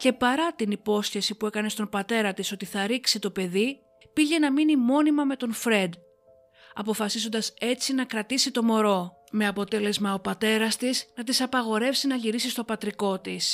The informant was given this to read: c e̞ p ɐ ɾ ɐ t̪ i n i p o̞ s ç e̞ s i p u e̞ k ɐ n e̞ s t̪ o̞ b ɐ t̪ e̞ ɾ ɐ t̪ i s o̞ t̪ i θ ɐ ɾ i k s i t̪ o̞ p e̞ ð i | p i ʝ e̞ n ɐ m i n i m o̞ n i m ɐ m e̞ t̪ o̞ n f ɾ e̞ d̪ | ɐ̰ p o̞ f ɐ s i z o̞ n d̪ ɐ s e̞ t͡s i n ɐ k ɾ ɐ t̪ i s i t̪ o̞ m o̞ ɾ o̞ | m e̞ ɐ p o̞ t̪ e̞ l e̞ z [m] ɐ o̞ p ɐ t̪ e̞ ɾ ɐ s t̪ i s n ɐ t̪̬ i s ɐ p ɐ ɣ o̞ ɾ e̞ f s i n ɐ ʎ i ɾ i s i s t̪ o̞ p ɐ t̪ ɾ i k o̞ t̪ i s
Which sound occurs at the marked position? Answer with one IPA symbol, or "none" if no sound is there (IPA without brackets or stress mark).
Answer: m